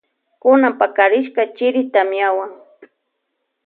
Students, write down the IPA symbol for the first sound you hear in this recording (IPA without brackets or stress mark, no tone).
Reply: k